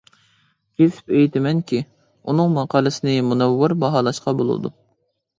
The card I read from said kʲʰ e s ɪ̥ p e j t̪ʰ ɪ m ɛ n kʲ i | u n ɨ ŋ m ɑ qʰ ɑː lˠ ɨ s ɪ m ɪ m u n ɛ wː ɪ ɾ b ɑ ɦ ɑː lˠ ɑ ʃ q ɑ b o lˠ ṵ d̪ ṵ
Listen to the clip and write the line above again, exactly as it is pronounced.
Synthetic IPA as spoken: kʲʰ e s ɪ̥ p e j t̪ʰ ɪ m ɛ n kʲ i | u n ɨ ŋ m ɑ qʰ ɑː lˠ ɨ s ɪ n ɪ m u n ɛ wː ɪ ɾ b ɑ ɦ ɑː lˠ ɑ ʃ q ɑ b o lˠ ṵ d̪ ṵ